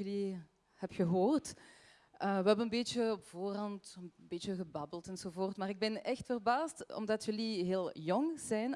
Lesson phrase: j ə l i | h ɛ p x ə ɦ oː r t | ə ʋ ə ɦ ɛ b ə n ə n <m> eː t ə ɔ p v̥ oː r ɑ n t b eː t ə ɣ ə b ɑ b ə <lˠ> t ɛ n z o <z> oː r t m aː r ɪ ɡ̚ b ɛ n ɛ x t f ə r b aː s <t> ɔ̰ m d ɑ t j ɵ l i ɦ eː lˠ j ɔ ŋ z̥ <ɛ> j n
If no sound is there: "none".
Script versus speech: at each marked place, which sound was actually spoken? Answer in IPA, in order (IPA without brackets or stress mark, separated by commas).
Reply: b, lˠ, v, t, ɛ